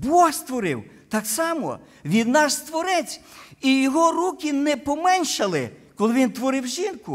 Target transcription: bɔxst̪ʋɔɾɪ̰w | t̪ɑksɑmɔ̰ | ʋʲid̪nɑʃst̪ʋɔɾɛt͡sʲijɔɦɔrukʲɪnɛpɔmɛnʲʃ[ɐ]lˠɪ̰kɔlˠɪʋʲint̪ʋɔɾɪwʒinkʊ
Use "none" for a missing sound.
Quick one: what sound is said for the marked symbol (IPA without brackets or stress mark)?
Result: ɐ